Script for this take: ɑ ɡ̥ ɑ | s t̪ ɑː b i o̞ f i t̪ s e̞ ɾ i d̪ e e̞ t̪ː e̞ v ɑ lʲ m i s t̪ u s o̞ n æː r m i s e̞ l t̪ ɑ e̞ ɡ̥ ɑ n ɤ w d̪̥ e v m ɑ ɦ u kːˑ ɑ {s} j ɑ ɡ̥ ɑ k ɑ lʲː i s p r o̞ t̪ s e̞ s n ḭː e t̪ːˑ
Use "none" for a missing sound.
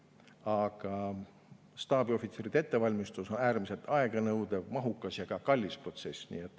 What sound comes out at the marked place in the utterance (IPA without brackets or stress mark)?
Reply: s